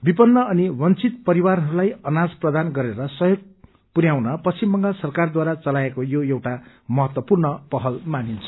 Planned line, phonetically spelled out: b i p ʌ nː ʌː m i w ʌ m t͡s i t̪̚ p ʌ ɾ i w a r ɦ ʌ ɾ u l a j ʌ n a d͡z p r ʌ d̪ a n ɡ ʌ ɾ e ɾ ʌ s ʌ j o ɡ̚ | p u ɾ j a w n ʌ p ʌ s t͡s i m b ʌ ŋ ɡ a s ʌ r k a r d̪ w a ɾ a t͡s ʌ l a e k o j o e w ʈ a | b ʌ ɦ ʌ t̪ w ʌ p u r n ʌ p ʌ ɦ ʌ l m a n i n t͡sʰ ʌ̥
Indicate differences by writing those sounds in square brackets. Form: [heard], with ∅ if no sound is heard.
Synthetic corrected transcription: b i p ʌ nː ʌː [n] i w ʌ [n] t͡s i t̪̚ p ʌ ɾ i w a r ɦ ʌ ɾ u l a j ʌ n a d͡z p r ʌ d̪ a n ɡ ʌ ɾ e ɾ ʌ s ʌ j o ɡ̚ | p u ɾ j a w n ʌ p ʌ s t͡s i m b ʌ ŋ ɡ a s ʌ r k a r d̪ w a ɾ a t͡s ʌ l a e k o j o e w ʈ a | [m] ʌ ɦ ʌ t̪ w ʌ p u r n ʌ p ʌ ɦ ʌ l m a n i n t͡sʰ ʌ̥